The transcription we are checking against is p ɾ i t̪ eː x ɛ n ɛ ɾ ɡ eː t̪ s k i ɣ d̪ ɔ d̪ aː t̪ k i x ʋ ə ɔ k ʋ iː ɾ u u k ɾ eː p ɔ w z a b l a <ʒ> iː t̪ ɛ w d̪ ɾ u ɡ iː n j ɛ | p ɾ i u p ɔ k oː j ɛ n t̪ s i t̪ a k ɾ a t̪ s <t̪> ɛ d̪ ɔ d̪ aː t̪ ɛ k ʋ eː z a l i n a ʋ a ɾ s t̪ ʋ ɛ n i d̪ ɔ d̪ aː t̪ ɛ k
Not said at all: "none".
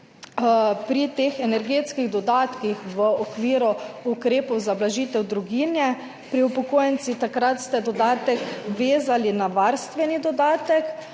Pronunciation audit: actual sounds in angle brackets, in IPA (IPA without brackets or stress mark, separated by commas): ʒ, t̪